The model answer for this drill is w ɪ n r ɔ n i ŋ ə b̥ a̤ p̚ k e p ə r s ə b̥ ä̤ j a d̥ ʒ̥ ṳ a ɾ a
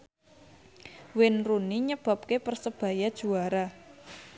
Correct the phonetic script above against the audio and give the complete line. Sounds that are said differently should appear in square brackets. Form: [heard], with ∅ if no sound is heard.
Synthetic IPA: w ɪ n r [u] n i [ɲ] ə b̥ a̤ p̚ k e p ə r s ə b̥ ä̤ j a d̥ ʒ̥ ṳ a ɾ a